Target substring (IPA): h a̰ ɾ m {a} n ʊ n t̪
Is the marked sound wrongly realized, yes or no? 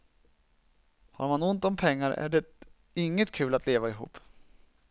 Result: no